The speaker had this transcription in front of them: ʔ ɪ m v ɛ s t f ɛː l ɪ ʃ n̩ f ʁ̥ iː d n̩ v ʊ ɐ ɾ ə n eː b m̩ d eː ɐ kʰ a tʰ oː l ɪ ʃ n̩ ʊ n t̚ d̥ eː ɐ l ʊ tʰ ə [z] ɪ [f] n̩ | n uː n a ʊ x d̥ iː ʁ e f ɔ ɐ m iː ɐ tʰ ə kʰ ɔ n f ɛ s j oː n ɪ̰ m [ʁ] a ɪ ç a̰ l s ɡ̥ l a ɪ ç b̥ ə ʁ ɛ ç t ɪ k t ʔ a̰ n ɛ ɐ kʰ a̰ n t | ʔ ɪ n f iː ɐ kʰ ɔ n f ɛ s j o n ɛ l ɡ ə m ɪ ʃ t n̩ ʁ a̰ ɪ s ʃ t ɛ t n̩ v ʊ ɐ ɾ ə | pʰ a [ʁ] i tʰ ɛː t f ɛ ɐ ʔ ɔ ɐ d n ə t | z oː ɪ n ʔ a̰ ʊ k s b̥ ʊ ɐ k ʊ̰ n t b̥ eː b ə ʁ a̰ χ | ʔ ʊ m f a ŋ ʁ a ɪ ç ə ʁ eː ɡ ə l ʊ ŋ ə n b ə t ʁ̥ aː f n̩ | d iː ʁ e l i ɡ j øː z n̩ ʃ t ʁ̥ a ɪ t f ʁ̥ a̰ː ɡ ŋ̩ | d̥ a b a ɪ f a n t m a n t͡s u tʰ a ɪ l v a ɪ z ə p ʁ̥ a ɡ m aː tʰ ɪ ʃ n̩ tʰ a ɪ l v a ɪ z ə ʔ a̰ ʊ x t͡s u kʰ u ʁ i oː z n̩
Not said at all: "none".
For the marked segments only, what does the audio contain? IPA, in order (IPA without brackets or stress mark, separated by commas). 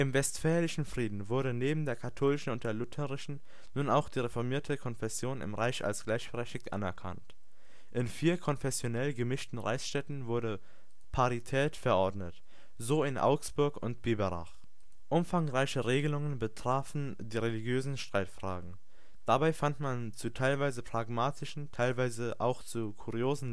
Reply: ʁ, ʃ, ʁ, ʁ